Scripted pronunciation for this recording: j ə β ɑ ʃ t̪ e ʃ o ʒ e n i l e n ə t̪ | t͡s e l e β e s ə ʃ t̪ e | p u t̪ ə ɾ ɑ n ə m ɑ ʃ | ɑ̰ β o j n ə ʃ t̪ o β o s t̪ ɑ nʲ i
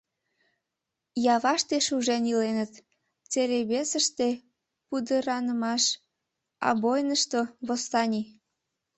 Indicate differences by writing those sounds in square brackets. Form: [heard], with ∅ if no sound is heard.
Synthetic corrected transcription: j [ɑ] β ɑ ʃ t̪ e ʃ [u] ʒ e n i l e n ə t̪ | t͡s e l e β e s ə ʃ t̪ e | p u [d̪] ə ɾ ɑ n ə m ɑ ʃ | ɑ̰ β o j n ə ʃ t̪ o β o s t̪ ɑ nʲ i